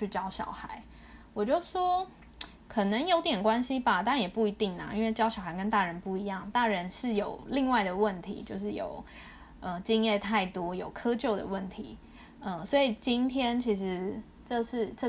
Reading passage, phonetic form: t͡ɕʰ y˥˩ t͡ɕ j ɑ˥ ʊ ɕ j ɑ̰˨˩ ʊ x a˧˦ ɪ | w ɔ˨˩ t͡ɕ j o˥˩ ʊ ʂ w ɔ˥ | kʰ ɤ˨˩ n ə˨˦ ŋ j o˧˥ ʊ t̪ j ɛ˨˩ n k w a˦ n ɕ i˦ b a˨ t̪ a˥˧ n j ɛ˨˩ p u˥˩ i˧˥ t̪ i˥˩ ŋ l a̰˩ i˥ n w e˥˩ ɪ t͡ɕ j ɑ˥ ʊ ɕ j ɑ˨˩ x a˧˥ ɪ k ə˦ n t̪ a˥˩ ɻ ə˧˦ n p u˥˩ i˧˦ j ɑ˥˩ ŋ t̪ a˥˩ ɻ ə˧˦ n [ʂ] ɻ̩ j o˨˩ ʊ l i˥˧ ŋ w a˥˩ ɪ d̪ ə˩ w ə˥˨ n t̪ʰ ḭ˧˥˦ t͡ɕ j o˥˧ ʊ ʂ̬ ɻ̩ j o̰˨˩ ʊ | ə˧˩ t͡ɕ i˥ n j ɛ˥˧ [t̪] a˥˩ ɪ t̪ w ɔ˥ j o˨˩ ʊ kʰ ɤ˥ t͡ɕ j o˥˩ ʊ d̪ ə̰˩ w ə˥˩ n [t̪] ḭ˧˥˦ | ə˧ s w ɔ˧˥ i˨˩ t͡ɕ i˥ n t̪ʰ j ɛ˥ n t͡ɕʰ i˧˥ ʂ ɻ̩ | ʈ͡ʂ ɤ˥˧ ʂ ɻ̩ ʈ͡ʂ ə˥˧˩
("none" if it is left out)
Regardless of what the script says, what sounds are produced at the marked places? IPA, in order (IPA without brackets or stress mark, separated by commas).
ʂ, t̪ʰ, t̪ʰ